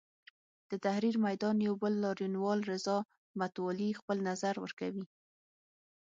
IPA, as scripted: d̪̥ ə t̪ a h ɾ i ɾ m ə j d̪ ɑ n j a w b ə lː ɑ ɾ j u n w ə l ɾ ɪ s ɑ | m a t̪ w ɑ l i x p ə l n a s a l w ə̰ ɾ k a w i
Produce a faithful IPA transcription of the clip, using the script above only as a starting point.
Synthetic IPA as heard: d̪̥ ə t̪ a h ɾ i ɾ m a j d̪ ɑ n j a w b ə lː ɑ ɾ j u n w ɑ l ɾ ɪ z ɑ | m a t̪ w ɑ l i x p ə l n a z a ɾ w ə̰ ɾ k a w i

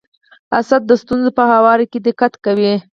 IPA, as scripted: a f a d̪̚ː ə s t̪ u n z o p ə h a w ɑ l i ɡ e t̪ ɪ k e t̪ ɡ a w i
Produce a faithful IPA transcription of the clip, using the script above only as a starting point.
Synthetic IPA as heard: a s a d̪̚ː ə s t̪ u n z o p ə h a w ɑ ɾ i k e d̪ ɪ k a t̪ k a w i

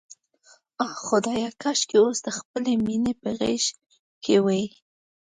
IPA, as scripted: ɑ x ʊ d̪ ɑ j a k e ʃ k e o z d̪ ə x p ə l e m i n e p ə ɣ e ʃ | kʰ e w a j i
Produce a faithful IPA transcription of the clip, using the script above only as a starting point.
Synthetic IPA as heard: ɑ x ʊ d̪ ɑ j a k a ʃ k e o s d̪ ə x p ə l e m i n e p ə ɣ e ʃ | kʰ e w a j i

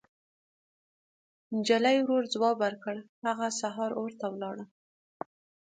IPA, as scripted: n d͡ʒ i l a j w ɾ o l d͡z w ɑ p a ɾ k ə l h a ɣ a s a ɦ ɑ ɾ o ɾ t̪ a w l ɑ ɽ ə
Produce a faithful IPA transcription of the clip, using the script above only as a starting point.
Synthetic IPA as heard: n d͡ʒ a l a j w ɾ o ɾ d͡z w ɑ b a ɾ k ə ɽ h a ɣ a s a ɦ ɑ ɾ o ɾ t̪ a w l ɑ ɽ ə

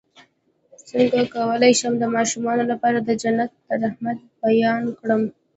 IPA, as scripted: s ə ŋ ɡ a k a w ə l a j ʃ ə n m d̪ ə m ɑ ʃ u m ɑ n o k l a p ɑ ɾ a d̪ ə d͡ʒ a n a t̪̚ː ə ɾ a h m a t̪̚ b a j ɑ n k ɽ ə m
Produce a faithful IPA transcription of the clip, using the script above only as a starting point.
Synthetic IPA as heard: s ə ŋ ɡ a k a w ə l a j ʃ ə m d̪ ə m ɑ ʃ u m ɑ n o l a p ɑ ɾ a d̪ ə d͡ʒ a n a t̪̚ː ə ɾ a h m a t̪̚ b a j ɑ n k ɽ ə m

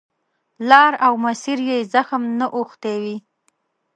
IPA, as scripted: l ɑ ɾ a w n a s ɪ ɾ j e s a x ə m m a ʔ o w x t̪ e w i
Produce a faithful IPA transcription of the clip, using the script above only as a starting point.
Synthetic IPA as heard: l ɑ ɾ a w m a s i ɾ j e z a x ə m n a ʔ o x t̪ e w i

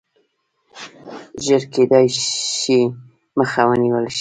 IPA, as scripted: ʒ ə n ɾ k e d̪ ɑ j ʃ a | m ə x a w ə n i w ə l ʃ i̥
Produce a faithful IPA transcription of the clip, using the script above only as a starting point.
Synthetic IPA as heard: ʒ ə ɾ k e d̪ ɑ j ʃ i | m ə x a w ə n i w ə l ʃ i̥

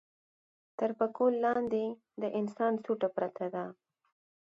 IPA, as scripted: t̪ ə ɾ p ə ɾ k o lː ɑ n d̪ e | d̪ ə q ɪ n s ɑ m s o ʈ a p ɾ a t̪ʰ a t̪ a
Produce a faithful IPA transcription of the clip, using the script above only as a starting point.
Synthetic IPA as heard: t̪ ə ɾ p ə k o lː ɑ n d̪ e | d̪ ə ʔ ɪ n s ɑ n s u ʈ a p ɾ a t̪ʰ a d̪ a

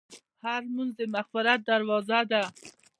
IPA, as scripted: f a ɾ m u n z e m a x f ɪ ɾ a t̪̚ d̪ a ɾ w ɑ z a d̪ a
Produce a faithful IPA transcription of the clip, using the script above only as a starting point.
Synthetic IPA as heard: h a ɾ m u n z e m a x f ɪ ɾ a t̪̚ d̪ a ɾ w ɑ z a d̪ a

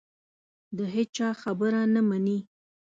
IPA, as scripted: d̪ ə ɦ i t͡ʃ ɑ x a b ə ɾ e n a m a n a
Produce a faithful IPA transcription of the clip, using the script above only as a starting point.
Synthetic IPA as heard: d̪ ə ɦ e t͡ʃ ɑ x a b ə ɾ a n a m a n i

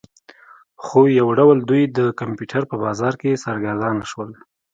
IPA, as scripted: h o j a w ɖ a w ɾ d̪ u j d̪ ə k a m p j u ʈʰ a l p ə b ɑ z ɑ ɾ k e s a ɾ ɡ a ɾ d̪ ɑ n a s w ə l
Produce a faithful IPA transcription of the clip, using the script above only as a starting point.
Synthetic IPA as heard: x o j a w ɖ a w l d̪ u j d̪ ə k a m p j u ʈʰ a ɾ p ə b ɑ z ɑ ɾ k e s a ɾ ɡ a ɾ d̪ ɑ n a ʃ w ə l

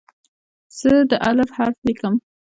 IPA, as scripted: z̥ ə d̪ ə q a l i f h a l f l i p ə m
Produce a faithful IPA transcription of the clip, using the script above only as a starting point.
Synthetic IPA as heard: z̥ ə d̪ ə ʔ a l a f h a ɾ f l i k ə m

